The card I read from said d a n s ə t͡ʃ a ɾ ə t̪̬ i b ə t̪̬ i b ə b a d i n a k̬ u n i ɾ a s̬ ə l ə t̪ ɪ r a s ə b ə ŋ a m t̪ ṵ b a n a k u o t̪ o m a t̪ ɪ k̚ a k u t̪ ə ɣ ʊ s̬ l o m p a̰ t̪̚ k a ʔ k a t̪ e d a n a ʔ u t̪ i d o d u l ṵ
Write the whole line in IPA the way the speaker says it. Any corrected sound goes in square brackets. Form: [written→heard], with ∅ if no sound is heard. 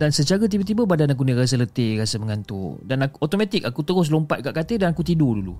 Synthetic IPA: d a n s ə t͡ʃ a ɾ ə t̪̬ i b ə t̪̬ i b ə b a d [i→a] n a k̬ u n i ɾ a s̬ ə l ə t̪ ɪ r a s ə [b→m] ə ŋ a [m→n] t̪ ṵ [b→d] a n a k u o t̪ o m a t̪ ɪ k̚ a k u t̪ ə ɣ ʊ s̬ l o m p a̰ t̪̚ k a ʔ k a t̪ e d a n a [ʔ→k] u t̪ i d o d u l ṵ